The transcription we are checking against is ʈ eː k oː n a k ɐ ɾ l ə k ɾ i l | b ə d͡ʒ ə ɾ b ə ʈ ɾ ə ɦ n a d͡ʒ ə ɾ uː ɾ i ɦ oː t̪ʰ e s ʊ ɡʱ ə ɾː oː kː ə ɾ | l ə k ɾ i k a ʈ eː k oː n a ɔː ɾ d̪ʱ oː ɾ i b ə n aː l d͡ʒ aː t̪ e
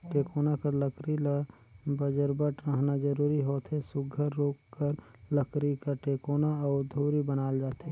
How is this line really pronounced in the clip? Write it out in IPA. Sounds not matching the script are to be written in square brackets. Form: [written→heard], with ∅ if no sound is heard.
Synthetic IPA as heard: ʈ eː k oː n a k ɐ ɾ l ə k ɾ i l | b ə d͡ʒ ə ɾ b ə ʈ ɾ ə ɦ n a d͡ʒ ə ɾ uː ɾ i ɦ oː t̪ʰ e s ʊ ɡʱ ə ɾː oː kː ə ɾ | l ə k ɾ i k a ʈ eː k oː n a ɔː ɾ d̪ʱ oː ɾ i b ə n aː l d͡ʒ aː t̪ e